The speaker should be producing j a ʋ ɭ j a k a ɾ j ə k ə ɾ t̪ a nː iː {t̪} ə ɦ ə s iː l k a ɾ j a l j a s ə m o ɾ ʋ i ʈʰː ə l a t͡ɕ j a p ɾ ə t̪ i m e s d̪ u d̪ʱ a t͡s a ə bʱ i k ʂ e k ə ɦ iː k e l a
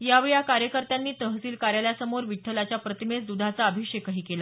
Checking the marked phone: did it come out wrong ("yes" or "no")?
no